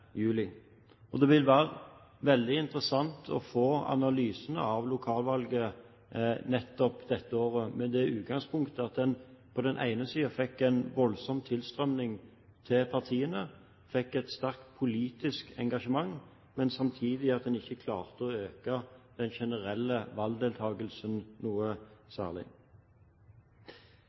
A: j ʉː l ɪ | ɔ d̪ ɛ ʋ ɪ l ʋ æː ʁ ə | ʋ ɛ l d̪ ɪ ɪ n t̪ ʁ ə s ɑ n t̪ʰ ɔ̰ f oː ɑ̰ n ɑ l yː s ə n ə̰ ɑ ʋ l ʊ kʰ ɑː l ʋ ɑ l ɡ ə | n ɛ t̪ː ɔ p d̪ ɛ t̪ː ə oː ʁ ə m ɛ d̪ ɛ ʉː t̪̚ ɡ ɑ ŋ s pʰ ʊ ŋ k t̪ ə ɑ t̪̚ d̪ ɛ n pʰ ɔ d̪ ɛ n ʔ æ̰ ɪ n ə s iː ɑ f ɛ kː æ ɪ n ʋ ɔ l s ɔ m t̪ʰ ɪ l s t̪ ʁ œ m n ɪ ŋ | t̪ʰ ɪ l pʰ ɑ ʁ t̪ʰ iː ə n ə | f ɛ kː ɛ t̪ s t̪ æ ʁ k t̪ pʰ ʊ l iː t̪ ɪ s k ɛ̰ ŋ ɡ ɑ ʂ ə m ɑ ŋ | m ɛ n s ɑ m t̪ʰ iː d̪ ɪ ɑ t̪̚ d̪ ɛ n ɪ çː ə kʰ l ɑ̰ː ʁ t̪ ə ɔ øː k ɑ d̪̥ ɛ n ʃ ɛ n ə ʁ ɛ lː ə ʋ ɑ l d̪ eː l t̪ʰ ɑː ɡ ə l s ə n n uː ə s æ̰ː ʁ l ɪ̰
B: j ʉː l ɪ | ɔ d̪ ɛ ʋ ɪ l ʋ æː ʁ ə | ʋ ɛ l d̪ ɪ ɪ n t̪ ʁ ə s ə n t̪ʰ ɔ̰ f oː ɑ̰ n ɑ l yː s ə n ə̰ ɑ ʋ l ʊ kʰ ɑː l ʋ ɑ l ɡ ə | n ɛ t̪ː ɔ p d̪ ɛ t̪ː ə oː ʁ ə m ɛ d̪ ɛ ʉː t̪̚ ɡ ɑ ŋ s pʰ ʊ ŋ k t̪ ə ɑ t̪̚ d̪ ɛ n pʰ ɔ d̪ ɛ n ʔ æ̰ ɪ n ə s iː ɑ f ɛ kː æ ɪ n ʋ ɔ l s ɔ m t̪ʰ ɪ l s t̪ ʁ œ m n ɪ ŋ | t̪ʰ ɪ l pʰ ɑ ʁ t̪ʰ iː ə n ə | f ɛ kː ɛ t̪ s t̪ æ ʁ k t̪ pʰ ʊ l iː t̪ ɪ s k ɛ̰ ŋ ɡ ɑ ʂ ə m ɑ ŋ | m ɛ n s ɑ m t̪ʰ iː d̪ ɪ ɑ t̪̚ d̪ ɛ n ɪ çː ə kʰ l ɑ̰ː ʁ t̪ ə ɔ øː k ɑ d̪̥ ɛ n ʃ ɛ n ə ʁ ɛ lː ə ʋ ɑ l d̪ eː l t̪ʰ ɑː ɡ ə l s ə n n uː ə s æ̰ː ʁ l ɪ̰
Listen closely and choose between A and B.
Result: A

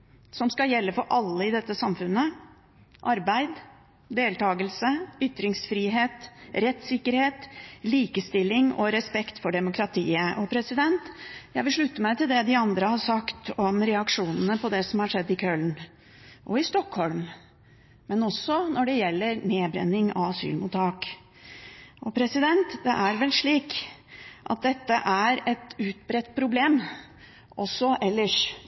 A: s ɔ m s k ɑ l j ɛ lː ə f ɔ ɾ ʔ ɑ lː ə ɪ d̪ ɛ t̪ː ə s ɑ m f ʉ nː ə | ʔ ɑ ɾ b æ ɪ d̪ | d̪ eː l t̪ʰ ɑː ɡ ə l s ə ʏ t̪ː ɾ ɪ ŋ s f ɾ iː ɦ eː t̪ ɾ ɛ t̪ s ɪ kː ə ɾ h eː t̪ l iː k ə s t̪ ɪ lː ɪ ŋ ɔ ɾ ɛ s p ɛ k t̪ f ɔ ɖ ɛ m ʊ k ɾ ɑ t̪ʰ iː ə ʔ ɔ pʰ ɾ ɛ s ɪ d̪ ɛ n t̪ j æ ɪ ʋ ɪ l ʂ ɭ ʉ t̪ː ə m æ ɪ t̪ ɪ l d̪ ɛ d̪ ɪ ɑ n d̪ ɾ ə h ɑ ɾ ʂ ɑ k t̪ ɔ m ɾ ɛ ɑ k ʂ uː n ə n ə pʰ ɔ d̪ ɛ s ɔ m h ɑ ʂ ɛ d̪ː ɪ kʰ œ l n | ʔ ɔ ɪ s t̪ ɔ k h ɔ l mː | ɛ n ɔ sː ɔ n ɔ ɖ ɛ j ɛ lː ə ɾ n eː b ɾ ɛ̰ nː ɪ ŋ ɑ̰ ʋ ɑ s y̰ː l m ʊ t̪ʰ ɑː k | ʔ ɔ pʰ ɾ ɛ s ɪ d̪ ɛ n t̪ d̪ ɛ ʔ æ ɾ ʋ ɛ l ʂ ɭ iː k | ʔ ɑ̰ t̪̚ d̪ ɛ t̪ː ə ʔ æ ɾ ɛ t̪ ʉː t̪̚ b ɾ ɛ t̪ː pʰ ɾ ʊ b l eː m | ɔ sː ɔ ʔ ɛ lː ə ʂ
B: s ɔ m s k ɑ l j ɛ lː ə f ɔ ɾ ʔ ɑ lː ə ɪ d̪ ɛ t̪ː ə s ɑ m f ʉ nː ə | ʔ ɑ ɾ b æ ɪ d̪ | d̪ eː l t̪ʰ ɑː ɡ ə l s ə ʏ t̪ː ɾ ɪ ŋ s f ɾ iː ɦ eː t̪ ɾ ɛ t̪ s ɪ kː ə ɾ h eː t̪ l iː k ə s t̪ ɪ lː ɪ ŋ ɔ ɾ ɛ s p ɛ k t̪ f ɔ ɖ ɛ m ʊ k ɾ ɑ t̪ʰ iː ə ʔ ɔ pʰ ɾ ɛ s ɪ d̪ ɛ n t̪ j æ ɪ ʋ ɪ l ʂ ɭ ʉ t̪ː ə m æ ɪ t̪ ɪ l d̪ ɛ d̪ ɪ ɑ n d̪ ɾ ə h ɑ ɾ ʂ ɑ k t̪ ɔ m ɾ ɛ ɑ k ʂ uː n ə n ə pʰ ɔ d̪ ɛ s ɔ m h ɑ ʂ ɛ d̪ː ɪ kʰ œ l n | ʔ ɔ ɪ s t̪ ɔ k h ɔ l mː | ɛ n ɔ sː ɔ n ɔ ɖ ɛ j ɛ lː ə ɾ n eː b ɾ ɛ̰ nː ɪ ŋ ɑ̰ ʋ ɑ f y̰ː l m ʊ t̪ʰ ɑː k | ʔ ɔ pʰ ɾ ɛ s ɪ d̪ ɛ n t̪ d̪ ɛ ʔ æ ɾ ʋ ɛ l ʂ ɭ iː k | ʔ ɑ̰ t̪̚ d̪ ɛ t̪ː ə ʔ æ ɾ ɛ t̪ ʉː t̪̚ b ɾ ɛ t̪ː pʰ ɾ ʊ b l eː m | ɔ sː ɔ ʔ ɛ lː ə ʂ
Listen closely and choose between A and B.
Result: A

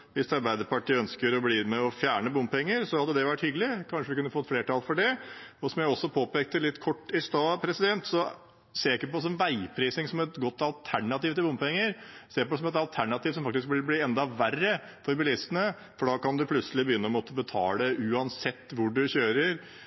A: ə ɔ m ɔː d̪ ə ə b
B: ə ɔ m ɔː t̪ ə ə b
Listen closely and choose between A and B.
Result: B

